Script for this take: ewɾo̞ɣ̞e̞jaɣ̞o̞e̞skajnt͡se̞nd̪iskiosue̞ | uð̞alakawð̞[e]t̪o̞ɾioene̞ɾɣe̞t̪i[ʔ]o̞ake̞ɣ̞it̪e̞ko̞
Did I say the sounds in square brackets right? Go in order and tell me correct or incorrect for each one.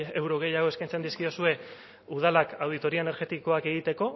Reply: incorrect: i, incorrect: k

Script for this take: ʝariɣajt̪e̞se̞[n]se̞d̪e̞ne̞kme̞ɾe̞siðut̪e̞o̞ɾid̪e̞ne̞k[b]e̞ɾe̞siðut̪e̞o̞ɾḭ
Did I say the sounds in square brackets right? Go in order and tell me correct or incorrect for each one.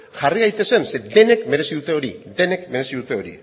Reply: correct, incorrect: m

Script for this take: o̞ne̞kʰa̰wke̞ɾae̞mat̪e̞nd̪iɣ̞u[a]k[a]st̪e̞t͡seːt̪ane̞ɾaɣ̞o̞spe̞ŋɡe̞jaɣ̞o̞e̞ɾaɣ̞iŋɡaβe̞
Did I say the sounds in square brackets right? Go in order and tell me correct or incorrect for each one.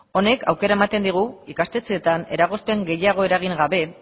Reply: incorrect: i, correct

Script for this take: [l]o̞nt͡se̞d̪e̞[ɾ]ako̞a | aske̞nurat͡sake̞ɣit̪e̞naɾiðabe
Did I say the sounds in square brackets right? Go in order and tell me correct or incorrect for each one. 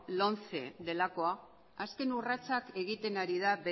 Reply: correct, incorrect: l

